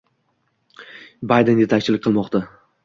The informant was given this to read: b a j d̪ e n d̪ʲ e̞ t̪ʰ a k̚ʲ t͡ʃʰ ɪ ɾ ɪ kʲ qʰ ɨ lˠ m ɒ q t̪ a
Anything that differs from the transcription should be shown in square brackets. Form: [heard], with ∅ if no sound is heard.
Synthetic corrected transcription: b a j d̪ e n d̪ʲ e̞ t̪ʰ a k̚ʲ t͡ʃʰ ɪ [l] ɪ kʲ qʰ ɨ lˠ m ɒ q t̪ a